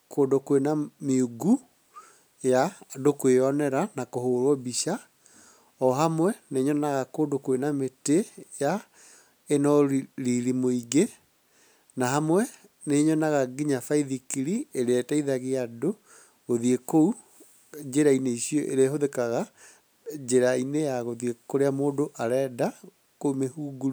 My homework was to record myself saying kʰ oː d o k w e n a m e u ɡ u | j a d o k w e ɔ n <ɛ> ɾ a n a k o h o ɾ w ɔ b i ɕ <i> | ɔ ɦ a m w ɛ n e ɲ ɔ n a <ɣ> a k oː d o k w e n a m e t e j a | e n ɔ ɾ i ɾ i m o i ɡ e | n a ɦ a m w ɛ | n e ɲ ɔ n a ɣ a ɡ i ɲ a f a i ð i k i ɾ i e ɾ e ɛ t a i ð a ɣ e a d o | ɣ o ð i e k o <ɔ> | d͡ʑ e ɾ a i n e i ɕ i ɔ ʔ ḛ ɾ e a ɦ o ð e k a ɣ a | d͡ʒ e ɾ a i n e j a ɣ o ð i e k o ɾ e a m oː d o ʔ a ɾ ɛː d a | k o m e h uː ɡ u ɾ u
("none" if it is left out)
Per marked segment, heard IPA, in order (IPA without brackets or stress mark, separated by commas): ɛ, a, ɣ, u